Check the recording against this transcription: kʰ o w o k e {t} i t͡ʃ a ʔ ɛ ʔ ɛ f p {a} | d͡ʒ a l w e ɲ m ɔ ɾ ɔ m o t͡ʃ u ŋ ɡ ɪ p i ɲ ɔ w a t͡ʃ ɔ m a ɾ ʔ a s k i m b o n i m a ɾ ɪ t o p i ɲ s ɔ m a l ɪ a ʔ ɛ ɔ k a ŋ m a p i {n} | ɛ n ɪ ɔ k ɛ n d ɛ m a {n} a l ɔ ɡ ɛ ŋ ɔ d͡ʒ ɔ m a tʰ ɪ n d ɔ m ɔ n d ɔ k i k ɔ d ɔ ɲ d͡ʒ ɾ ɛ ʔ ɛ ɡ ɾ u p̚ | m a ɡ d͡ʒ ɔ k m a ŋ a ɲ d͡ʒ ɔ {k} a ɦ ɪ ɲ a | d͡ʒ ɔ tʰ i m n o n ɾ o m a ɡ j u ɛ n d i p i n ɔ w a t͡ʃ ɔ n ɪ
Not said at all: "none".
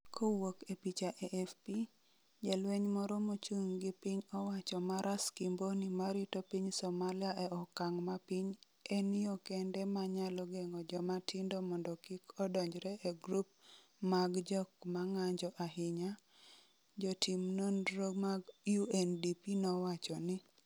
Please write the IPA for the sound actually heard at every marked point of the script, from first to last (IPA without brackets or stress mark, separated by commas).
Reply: p, i, ɲ, ɲ, ʔ